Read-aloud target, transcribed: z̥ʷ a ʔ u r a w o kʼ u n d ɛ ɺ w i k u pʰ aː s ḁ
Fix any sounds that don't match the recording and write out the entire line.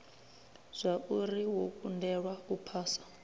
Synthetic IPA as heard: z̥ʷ a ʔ u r i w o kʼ u n d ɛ ɺ w a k u pʰ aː s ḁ